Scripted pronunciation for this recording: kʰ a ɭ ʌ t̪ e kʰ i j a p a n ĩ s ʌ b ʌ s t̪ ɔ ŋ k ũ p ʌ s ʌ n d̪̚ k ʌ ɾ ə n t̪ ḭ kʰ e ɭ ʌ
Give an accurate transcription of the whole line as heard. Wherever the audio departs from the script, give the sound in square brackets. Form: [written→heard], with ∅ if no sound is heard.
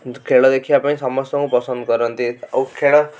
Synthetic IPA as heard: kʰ [a→e] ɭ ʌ [t̪→d̪] e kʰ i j a p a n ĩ s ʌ [b→m] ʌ s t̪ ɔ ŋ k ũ p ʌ s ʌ n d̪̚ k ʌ ɾ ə n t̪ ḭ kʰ e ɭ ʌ